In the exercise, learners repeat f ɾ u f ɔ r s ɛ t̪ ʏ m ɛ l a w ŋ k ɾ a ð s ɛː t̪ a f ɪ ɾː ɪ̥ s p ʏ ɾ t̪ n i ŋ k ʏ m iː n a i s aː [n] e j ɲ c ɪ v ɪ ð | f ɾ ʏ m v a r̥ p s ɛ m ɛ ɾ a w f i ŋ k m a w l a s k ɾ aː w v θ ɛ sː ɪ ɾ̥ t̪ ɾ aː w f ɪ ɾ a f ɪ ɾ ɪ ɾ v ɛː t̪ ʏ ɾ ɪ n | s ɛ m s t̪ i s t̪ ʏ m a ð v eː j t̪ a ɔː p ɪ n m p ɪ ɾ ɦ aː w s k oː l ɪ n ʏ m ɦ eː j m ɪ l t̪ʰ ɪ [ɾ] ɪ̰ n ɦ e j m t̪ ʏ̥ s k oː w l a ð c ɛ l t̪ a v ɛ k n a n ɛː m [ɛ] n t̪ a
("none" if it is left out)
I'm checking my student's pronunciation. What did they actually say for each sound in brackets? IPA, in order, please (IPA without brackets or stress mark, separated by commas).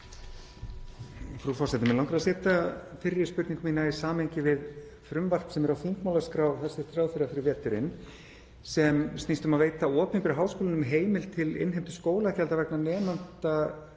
m, l, a